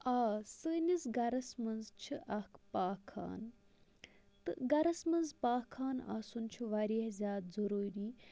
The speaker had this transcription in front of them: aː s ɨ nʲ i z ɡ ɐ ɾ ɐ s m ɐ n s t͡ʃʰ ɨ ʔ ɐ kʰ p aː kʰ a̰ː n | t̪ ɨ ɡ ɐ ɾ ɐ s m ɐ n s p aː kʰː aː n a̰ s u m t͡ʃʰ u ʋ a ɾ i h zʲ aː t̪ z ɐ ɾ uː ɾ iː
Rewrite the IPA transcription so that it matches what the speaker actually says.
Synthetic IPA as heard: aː s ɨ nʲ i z ɡ ɐ ɾ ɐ s m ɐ n z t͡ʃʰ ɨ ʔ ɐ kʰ p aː kʰ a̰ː n | t̪ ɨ ɡ ɐ ɾ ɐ s m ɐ n z p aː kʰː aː n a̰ s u n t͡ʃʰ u ʋ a ɾ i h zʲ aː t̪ z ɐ ɾ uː ɾ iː